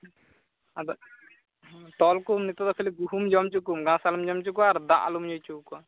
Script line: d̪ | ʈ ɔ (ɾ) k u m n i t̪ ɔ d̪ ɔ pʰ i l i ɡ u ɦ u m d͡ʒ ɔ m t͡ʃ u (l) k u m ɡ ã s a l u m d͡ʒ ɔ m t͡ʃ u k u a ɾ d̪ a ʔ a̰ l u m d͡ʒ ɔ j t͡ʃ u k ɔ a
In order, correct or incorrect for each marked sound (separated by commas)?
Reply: incorrect, incorrect